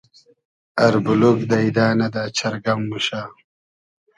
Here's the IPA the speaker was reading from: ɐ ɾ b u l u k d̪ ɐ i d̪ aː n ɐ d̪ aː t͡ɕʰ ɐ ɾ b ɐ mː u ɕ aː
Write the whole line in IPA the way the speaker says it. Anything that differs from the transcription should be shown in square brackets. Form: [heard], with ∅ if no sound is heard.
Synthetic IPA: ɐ ɾ b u l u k d̪ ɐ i d̪ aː n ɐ d̪ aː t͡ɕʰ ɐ ɾ [ɡ] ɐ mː u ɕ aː